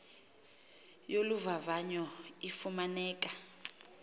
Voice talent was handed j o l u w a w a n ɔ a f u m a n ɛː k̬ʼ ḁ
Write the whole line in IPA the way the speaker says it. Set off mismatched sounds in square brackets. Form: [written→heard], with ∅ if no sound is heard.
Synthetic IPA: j o l u [w→v] a [w→v] a [n→ɲ] ɔ [a→i] f u m a n ɛː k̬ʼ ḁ